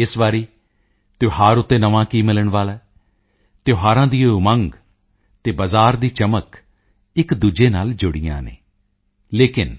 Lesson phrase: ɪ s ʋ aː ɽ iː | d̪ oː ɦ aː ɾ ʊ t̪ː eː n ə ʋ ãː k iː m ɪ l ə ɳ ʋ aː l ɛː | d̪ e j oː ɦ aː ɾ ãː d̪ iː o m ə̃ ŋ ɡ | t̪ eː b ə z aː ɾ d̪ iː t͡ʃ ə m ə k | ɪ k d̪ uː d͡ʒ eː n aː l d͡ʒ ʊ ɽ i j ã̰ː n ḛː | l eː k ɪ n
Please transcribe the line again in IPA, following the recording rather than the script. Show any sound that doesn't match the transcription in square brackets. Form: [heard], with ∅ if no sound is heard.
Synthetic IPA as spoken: ɪ s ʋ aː [ɾ] iː | [t̪] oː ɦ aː ɾ ʊ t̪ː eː n ə ʋ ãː k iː m ɪ l ə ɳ ʋ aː l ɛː | [t̪] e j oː ɦ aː ɾ ãː d̪ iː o m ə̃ ŋ ɡ | t̪ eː b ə z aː ɾ d̪ iː t͡ʃ ə m ə k | ɪ k d̪ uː d͡ʒ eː n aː l d͡ʒ ʊ ɽ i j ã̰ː n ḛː | l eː k ɪ n